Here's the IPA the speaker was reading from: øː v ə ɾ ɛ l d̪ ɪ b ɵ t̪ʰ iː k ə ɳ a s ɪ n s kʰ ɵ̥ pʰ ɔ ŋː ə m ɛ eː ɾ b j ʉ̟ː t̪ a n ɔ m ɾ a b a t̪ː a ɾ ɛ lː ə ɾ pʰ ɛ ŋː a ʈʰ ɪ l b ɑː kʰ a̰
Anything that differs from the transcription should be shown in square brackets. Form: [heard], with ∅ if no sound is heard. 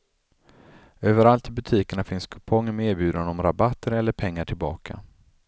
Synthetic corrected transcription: øː v ə ɾ [a] l [t̪] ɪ b ɵ t̪ʰ iː k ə ɳ a [f] ɪ n s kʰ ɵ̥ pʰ ɔ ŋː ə m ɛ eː ɾ b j ʉ̟ː [d̪] a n ɔ m ɾ a b a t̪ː [ə] ɾ ɛ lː ə ɾ pʰ ɛ ŋː a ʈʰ ɪ l b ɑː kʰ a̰